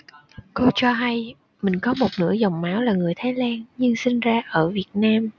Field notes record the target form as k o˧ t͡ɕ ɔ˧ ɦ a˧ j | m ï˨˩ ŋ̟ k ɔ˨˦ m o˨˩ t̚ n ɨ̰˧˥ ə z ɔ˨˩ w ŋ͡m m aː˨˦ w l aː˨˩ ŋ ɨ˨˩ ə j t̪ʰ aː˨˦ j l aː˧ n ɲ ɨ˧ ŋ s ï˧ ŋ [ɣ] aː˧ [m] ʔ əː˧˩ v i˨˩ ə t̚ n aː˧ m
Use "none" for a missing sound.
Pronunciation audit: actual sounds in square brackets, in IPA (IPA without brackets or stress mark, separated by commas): z, none